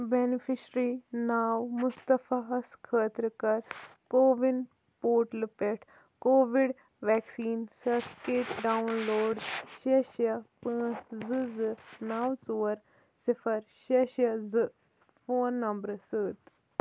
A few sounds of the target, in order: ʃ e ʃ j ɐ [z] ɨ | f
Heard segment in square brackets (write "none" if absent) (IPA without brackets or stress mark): z